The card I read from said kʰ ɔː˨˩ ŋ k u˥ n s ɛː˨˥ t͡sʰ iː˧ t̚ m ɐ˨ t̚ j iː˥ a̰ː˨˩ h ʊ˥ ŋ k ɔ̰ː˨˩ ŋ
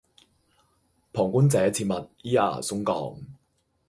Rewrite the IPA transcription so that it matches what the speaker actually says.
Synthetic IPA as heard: pʰ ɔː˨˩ ŋ k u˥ n t͡s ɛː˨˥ t͡sʰ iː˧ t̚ m ɐ˨ t̚ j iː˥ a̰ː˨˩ s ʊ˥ ŋ k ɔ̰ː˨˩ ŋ